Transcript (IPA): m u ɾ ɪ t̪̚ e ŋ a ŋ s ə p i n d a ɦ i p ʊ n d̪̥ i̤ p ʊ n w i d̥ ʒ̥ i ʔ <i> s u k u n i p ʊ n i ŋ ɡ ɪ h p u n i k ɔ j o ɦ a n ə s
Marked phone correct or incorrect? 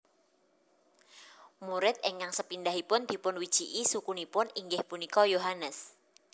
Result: correct